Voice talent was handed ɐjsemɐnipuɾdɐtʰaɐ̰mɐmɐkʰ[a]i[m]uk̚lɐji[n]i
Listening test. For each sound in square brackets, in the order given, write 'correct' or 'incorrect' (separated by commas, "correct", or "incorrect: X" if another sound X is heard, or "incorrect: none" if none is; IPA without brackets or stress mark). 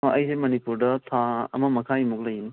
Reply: correct, correct, correct